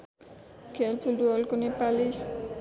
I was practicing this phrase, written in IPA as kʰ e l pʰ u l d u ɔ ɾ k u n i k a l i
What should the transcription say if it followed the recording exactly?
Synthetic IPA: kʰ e l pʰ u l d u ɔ l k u n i p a l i